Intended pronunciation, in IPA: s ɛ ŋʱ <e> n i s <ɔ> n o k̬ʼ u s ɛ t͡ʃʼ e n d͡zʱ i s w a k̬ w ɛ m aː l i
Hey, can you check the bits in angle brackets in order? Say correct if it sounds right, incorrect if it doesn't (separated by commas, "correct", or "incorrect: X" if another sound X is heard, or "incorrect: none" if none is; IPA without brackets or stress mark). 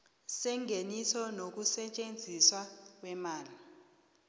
correct, correct